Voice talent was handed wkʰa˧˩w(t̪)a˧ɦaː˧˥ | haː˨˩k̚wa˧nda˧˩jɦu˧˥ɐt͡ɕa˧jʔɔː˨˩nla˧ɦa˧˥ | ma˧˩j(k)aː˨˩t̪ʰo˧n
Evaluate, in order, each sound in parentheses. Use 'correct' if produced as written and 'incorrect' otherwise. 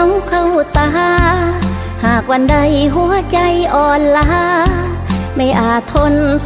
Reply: correct, incorrect

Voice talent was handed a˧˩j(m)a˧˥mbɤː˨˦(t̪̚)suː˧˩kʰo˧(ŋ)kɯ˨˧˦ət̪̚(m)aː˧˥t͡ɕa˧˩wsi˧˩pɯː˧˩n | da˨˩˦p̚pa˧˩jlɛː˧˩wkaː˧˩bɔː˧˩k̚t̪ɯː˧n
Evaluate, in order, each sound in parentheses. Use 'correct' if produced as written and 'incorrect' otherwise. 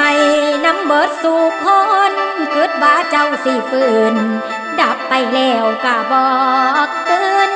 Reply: incorrect, correct, incorrect, incorrect

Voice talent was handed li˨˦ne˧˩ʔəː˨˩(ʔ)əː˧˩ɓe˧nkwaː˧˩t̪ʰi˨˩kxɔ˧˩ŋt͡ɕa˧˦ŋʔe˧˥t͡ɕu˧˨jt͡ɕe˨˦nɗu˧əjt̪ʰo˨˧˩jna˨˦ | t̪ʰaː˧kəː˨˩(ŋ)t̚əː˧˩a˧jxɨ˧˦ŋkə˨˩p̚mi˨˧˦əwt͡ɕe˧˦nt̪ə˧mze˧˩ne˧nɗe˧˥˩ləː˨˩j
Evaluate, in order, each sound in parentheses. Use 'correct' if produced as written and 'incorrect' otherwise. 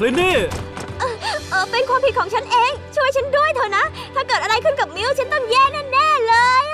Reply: correct, incorrect

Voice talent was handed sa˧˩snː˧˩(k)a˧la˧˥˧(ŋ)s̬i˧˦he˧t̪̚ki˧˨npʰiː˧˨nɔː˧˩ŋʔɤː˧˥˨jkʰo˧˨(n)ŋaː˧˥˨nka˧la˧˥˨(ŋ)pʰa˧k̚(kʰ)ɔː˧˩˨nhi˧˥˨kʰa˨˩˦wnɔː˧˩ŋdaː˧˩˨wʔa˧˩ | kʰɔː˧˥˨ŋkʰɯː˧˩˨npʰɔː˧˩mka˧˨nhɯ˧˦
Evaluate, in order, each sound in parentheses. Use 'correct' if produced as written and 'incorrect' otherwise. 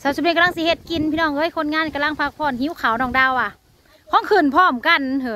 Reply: correct, correct, correct, correct, incorrect

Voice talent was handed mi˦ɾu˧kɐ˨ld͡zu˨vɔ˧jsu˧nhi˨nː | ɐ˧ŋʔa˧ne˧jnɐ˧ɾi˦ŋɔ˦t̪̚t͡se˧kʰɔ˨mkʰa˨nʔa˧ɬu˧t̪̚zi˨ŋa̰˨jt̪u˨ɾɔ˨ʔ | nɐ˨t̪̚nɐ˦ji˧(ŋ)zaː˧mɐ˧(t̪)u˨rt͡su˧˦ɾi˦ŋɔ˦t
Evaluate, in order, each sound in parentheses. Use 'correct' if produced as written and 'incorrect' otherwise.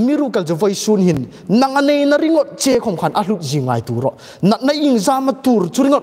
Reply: correct, correct

